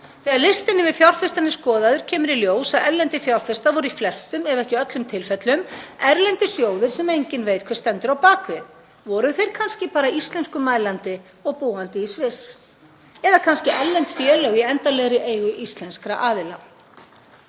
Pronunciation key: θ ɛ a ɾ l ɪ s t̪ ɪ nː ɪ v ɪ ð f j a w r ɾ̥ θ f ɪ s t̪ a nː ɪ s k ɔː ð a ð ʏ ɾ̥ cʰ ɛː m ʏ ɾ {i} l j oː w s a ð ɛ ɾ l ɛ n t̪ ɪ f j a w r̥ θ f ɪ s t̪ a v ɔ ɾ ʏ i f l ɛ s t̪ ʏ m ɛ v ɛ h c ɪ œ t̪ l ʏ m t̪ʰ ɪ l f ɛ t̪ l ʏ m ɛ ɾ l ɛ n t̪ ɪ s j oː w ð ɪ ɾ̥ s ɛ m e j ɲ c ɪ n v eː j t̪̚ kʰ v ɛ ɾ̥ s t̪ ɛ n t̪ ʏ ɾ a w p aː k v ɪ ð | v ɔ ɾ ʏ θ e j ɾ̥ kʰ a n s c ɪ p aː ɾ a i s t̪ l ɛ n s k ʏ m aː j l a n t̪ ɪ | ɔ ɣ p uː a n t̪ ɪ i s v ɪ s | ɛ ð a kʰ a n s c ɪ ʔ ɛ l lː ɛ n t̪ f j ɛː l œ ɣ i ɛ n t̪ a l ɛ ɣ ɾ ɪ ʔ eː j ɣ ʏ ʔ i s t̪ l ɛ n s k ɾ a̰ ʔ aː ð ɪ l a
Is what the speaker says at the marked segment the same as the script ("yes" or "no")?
yes